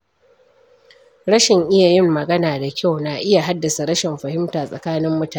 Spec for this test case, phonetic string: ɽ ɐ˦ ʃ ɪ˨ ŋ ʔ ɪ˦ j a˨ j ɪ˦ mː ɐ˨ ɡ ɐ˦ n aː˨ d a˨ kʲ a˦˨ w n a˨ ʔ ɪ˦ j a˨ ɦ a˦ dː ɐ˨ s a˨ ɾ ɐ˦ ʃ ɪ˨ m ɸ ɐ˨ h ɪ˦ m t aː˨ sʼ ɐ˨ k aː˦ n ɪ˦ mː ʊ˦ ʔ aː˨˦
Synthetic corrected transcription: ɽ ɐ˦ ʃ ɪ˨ ŋ ʔ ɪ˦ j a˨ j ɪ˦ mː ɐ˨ ɡ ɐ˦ n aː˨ d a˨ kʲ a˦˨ w n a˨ ʔ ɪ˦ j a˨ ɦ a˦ dː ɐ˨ s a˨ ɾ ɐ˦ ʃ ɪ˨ m ɸ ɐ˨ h ɪ˦ m t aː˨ sʼ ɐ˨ k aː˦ n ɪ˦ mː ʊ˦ t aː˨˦